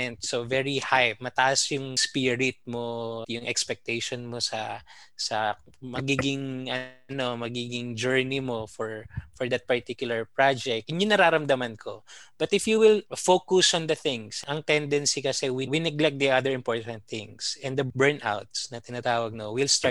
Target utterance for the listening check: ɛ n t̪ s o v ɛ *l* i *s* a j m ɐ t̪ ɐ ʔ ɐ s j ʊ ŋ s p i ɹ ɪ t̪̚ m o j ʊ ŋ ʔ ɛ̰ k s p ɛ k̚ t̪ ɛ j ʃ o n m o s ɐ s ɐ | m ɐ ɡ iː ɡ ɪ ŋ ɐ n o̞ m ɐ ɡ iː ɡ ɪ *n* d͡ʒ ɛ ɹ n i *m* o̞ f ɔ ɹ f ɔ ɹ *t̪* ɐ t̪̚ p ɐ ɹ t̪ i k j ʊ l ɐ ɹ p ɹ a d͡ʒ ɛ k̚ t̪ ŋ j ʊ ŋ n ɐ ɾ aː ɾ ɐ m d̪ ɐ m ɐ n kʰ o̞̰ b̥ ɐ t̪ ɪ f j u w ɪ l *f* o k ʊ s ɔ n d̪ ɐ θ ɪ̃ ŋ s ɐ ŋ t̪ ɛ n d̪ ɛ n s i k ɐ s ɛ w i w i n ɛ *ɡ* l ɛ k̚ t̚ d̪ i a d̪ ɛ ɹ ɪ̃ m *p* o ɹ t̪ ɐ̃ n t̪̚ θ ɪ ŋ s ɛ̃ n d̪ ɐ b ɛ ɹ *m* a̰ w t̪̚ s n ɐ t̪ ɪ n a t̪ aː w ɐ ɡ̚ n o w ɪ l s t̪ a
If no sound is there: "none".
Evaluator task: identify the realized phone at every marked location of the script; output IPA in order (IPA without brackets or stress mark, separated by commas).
ɹ, h, ŋ, m, d̪, f, ɡ, p, n